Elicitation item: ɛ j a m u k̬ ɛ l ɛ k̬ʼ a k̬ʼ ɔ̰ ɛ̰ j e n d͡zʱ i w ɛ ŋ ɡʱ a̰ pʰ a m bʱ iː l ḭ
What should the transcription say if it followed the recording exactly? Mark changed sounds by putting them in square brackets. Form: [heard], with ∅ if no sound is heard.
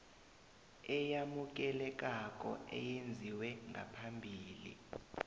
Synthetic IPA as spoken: ɛ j a m u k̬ ɛ l ɛ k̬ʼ a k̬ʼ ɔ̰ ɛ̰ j e n d͡zʱ i w ɛ ŋ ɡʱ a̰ pʰ a m bʱ iː l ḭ